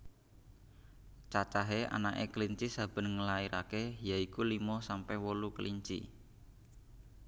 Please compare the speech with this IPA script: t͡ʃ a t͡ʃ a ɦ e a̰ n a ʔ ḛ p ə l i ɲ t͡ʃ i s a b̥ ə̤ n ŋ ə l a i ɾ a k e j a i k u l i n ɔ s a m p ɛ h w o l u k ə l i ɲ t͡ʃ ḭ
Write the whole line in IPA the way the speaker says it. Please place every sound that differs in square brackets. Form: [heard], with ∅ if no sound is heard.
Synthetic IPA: t͡ʃ a t͡ʃ a ɦ e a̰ n a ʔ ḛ [k] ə l i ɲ t͡ʃ i s a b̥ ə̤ n ŋ ə l a i ɾ a k e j a i k u l i [m] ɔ s a m p ɛ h w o l u k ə l i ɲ t͡ʃ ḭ